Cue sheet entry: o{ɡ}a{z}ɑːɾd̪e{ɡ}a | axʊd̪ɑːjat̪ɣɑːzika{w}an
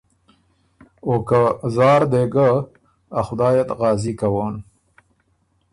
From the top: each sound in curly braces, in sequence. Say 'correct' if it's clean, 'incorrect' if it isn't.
incorrect, correct, correct, correct

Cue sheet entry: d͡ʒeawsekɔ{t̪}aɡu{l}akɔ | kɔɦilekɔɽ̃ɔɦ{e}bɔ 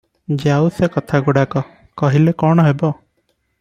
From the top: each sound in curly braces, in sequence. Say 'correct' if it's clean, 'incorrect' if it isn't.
incorrect, incorrect, correct

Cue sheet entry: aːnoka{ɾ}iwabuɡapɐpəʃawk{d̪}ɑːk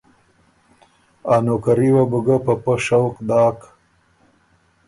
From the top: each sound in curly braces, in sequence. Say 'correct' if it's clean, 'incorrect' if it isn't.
correct, correct

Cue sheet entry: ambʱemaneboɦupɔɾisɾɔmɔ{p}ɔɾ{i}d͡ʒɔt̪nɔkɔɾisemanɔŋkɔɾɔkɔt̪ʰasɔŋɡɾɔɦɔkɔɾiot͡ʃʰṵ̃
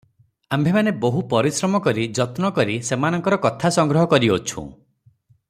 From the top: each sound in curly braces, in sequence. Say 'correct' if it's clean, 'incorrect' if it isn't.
incorrect, correct

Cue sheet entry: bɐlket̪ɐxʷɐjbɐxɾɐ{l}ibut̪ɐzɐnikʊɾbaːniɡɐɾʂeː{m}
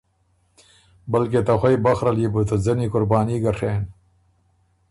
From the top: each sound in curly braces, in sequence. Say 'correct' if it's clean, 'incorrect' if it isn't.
correct, incorrect

